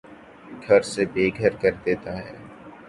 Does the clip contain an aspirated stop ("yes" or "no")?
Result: no